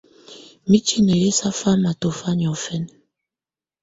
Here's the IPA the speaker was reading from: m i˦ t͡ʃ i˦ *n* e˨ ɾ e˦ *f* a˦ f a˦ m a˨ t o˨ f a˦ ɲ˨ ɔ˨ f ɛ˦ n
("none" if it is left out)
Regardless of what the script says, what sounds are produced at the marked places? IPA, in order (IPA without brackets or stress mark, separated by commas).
n, s